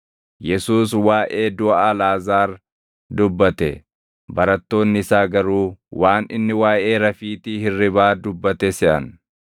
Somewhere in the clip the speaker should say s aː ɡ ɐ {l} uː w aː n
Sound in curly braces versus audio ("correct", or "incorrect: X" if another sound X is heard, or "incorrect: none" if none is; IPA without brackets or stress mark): incorrect: ɾ